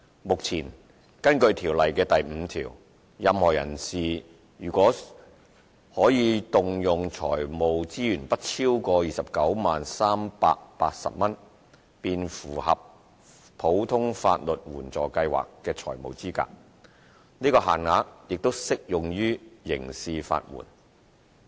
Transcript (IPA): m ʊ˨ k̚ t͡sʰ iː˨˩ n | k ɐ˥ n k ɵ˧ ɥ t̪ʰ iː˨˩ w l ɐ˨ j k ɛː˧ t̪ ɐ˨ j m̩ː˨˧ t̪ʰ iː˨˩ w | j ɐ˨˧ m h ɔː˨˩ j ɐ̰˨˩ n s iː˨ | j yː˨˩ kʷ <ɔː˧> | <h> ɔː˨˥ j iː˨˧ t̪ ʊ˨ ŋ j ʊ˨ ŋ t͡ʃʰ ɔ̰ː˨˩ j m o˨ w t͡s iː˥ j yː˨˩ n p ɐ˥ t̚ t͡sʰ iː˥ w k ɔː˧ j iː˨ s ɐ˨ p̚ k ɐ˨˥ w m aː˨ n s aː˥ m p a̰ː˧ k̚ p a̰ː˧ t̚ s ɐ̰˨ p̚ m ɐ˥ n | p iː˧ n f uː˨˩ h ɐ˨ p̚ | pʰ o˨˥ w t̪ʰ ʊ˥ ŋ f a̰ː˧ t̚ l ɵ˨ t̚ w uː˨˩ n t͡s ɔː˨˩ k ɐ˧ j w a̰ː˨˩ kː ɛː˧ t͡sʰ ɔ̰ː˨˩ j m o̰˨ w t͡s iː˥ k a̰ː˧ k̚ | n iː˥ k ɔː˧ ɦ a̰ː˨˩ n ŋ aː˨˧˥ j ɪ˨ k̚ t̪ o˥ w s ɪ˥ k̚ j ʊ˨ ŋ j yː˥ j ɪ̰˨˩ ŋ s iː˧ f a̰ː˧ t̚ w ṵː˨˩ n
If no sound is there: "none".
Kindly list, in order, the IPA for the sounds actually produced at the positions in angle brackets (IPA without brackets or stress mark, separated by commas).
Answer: ɔː˨˥, h